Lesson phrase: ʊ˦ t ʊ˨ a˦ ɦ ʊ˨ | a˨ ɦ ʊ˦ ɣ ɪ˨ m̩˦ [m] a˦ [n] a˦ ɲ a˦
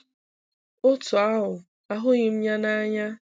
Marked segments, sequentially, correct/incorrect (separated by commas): incorrect, correct